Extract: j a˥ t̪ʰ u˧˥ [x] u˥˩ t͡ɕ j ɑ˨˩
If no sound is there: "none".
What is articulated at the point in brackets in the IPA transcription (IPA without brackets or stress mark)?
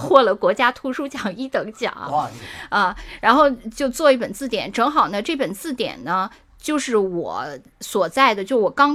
ʂ